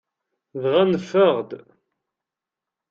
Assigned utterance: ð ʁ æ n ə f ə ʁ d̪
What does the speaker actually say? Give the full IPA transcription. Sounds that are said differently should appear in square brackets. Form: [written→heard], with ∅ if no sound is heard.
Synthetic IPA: ð ʁ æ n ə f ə ʁ d̪

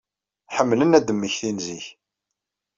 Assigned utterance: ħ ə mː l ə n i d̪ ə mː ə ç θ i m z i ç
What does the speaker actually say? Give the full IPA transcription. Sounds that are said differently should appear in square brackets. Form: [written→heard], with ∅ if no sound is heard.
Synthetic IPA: ħ ə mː l ə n [i→æ] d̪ ə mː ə ç θ i [m→n] z i ç

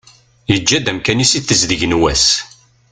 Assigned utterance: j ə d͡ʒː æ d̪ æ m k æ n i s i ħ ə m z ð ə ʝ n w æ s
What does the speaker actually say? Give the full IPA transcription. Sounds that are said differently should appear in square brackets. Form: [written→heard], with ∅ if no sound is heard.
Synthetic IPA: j ə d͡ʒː æ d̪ æ m k æ n i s i [ħ→θ] ə [m→∅] z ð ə ʝ n w æ s

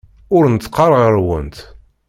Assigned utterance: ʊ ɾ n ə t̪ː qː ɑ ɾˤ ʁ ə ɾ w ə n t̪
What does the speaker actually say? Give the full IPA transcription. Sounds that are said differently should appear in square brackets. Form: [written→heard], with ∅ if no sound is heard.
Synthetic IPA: ʊ ɾ n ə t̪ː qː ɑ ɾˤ ʁ ə ɾ w ə n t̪

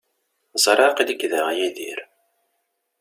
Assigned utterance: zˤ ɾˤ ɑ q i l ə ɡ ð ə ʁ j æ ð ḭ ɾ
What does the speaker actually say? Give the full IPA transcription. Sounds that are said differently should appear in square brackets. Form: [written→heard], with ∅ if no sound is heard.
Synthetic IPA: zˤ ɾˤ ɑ q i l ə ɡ ð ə ʁ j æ ð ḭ ɾ

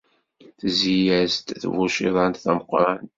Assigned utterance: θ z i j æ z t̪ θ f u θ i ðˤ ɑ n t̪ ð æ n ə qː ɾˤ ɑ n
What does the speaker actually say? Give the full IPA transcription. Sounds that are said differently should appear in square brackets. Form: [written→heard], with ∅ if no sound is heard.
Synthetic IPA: θ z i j æ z t̪ θ [f→v] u [θ→ʃ] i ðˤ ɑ n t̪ [ð→θ] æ [n→m] ə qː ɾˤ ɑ n

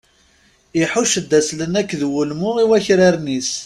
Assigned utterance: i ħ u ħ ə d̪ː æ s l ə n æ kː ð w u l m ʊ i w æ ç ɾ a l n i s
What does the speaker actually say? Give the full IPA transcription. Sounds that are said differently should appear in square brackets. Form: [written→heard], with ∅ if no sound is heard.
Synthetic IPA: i ħ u [ħ→ʃ] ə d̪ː æ s l ə n æ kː ð w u l m ʊ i w æ ç ɾ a [l→ɾ] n i s

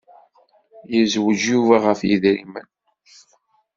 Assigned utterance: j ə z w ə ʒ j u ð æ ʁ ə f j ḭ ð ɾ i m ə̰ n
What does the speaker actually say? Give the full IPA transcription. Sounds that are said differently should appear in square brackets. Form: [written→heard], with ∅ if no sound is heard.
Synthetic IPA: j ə z w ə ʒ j u [ð→v] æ ʁ ə f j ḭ ð ɾ i m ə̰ n

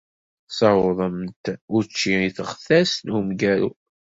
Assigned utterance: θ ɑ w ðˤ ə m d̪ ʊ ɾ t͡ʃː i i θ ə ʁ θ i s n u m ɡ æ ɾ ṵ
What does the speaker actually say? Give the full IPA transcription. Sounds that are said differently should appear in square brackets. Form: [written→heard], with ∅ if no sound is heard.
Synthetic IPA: [θ→s] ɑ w ðˤ ə m [d̪→t̪] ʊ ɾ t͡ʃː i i θ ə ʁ θ [i→æ] s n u m ɡ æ ɾ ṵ

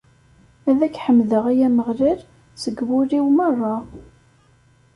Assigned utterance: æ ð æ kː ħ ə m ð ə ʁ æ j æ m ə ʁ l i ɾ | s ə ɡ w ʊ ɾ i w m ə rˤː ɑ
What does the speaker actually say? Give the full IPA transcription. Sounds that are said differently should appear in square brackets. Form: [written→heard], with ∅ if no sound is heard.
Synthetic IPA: æ ð æ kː ħ ə m ð ə ʁ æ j æ m ə ʁ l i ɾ | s ə ɡ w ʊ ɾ i w m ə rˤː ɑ

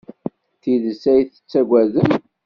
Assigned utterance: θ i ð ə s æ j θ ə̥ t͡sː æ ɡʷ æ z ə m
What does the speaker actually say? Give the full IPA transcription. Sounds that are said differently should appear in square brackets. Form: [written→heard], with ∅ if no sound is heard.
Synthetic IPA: θ i ð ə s æ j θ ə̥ t͡sː æ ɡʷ æ [z→ð] ə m

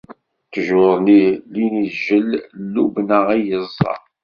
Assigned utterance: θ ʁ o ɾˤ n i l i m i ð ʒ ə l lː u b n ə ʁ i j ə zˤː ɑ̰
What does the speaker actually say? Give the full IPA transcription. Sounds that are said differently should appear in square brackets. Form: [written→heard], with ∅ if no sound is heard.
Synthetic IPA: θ [ʁ→ʒ] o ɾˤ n i l i [m→n] i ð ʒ ə l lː u b n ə ʁ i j ə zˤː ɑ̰

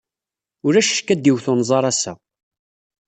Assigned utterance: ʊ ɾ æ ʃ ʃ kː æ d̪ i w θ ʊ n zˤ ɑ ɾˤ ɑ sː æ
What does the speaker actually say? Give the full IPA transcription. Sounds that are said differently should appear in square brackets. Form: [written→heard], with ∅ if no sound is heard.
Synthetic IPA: ʊ ɾ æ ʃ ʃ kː æ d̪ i w θ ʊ n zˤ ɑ ɾˤ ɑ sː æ

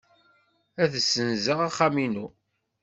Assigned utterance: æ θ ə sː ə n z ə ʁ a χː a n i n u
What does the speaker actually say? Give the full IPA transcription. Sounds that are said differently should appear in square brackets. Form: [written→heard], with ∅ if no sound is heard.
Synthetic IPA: æ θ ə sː ə n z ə ʁ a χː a [n→m] i n u

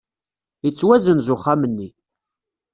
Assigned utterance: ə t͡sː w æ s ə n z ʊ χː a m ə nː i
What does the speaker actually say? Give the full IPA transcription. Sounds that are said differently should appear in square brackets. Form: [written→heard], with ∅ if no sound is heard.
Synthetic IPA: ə t͡sː w æ [s→z] ə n z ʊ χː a m ə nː i

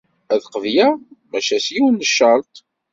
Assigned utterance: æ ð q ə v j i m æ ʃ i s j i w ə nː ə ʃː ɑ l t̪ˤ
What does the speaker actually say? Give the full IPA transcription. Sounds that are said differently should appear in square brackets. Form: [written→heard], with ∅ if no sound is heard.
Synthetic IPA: æ ð q ə v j [i→æ] m æ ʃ [i→æ] s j i w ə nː ə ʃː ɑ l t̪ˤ

